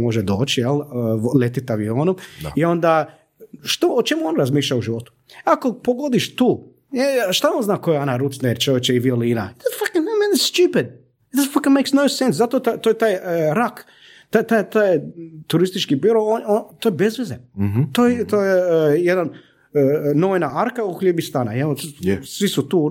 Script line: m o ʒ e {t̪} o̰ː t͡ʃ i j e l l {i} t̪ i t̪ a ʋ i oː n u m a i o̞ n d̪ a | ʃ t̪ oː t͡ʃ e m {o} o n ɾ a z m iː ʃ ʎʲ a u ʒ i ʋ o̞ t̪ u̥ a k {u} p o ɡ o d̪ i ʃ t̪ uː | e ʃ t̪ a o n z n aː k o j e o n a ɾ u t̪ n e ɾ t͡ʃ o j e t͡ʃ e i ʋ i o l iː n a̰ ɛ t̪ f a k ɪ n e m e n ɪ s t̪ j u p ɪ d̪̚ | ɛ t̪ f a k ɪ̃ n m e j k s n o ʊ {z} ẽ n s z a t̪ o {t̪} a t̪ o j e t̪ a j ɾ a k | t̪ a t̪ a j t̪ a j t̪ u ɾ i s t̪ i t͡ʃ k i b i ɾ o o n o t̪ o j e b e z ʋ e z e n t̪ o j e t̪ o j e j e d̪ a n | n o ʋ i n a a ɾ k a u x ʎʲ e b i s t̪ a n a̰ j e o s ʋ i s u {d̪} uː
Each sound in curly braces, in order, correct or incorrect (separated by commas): incorrect, incorrect, incorrect, incorrect, incorrect, correct, incorrect